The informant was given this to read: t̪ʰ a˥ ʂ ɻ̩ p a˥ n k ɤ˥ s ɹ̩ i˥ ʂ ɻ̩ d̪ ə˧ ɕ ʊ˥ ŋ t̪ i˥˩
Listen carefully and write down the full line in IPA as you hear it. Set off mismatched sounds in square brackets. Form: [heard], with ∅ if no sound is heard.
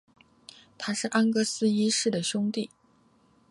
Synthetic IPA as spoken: t̪ʰ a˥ ʂ ɻ̩ [ʔ] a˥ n k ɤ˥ s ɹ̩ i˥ ʂ ɻ̩ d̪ [ə˩] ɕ ʊ˥ ŋ t̪ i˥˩